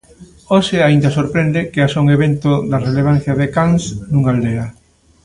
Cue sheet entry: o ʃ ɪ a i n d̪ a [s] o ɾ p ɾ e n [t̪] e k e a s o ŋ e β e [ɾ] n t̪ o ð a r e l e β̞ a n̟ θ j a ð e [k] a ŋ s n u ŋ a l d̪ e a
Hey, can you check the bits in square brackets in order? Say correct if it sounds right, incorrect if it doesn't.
correct, incorrect: d̪, incorrect: none, correct

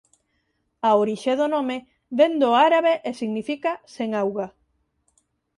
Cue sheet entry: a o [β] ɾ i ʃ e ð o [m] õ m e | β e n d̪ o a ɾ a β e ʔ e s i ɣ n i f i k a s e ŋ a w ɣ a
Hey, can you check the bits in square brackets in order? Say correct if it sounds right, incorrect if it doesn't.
incorrect: none, incorrect: n

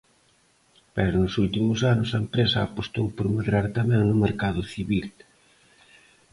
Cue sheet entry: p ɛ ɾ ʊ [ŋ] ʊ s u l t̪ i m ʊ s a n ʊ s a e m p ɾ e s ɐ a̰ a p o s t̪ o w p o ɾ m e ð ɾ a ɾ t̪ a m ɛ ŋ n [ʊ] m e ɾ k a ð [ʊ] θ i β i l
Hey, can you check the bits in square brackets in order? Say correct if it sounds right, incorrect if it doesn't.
incorrect: n, correct, correct

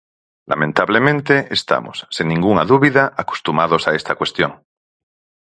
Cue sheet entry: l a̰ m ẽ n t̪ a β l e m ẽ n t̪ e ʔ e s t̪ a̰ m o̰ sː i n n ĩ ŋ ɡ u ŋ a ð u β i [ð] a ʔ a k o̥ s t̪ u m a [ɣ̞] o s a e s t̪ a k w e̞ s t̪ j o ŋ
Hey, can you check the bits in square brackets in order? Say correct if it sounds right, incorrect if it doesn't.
correct, incorrect: ð̞

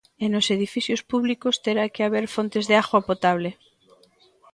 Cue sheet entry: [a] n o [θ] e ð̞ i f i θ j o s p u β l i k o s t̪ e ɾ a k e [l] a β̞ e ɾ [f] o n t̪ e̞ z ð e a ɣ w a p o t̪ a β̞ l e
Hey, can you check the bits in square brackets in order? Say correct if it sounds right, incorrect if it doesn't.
incorrect: e, incorrect: s, incorrect: none, correct

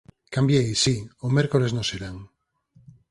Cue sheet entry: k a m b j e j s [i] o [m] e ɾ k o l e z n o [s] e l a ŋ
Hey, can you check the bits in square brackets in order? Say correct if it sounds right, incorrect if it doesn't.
correct, correct, correct

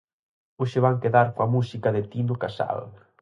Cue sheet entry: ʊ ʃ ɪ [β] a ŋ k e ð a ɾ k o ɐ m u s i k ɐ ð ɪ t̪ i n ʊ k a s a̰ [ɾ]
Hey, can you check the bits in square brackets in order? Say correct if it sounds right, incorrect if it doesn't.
correct, incorrect: l

